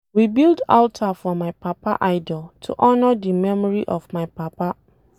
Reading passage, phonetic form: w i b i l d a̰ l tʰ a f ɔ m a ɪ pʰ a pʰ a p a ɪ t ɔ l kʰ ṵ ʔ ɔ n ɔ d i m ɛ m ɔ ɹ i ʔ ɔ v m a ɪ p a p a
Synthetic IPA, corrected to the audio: w i b i l d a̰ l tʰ a f ɔ m a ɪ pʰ a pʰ a ʔ a ɪ d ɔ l tʰ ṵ ʔ ɔ n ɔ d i m ɛ m ɔ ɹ i ʔ ɔ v m a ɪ p a p a